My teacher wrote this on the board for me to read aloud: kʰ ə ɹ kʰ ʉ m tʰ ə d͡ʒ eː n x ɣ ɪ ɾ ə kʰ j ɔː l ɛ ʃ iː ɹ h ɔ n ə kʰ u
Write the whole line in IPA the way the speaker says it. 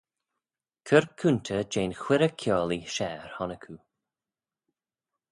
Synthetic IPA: kʰ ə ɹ kʰ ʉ n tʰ ə d͡ʒ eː n x w ɪ ɾ ə kʰ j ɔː l i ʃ ɛː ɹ h ɔ n ə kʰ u

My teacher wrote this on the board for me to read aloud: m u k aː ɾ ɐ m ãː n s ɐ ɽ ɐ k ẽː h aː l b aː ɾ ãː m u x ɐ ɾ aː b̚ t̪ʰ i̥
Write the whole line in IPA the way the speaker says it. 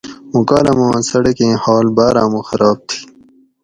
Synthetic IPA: m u k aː l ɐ m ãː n s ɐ ɽ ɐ k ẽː h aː l b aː ɾ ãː m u x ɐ ɾ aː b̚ t̪ʰ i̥

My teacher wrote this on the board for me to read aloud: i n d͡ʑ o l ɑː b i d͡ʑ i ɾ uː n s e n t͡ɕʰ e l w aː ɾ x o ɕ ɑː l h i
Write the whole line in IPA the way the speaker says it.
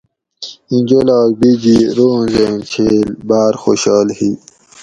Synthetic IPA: i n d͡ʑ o l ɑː b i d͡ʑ i ɾ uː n z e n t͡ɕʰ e l b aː ɾ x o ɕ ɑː l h i

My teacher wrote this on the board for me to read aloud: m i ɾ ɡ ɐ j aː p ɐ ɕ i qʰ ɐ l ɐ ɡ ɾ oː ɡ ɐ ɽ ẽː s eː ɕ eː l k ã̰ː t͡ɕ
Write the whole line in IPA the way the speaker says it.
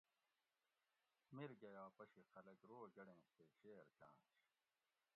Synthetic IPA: m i ɾ ɡ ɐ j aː p ɐ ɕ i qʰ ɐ l ɐ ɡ ɾ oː ɡ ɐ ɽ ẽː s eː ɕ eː ɾ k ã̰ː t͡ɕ

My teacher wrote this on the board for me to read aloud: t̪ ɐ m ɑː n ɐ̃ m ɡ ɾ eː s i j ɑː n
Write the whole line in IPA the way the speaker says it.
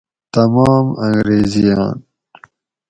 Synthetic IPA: t̪ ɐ m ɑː m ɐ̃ ŋ ɡ ɾ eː z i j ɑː n

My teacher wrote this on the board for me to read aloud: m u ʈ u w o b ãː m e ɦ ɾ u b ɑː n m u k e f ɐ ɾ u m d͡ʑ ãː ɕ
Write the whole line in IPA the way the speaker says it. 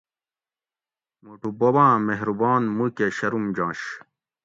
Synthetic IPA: m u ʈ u b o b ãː m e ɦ ɾ u b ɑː n m u k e ɕ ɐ ɾ u m d͡ʑ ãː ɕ

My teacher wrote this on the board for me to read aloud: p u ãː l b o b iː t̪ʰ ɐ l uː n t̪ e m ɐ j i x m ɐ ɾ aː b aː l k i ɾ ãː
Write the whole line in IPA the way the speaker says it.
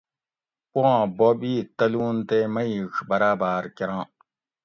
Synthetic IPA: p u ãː b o b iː t̪ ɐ l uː n t̪ e m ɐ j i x b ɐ ɾ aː b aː ɾ k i ɾ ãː

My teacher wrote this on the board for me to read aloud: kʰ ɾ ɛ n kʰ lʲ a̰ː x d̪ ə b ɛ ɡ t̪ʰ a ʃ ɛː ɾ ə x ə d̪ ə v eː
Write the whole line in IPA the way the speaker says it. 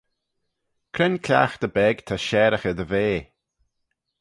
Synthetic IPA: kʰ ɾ ɛ n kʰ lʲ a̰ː x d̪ ə b ɛ ɡ t̪ʰ a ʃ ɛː ɾ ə x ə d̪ ə v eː

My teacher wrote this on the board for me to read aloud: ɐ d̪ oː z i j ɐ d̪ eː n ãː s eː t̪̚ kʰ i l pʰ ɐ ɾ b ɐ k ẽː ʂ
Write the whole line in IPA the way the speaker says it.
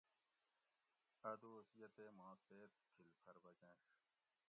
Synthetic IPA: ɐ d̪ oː s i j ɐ t̪ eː m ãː s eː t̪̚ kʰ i l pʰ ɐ ɾ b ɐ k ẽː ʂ

